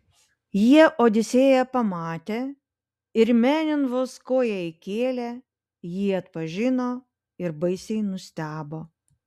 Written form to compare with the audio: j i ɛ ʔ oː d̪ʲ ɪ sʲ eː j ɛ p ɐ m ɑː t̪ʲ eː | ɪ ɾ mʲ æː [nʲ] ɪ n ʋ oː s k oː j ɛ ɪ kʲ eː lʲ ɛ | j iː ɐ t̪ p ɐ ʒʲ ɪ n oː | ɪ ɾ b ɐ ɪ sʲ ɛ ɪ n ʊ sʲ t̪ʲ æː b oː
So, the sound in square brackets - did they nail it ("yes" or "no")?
yes